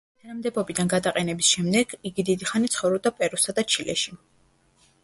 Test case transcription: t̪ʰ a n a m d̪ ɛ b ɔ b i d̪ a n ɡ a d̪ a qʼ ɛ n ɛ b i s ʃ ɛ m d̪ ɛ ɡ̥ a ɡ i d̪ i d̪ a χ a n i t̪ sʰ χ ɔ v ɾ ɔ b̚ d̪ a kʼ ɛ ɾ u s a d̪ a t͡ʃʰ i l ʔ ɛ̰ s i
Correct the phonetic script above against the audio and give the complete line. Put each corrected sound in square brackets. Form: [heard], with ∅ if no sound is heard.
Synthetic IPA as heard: t̪ʰ a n a m d̪ ɛ b ɔ b i d̪ a n ɡ a d̪ a qʼ ɛ n ɛ b i s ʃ ɛ m d̪ ɛ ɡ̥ [i] ɡ i d̪ i d̪ [i] χ a n i t̪ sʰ χ ɔ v ɾ ɔ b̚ d̪ a [pʼ] ɛ ɾ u s a d̪ a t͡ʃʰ i l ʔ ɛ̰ [ʃ] i